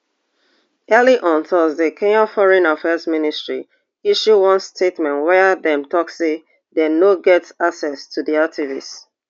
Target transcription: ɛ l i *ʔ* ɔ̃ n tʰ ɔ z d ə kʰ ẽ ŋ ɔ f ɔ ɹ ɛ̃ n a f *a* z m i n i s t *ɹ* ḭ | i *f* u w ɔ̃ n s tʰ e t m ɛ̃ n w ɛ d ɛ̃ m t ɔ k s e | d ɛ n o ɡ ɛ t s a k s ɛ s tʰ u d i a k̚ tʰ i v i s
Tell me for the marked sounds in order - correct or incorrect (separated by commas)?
correct, incorrect, correct, incorrect